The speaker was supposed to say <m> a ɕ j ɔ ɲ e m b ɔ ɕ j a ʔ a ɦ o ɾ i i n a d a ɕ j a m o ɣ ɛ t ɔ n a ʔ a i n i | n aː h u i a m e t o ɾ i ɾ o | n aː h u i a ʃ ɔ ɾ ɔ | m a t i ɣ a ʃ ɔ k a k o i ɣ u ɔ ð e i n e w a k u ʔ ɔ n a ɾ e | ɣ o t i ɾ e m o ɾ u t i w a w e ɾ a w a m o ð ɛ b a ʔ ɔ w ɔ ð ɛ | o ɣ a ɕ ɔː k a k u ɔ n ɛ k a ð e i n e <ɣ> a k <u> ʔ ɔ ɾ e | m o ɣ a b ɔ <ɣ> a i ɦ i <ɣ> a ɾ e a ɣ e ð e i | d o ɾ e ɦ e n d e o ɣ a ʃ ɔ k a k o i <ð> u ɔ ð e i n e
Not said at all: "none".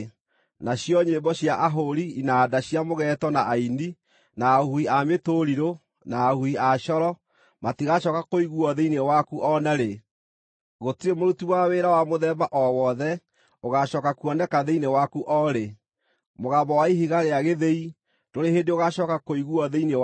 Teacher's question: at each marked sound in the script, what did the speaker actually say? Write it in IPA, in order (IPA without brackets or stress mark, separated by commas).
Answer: n, w, u, w, ɣ, ɣ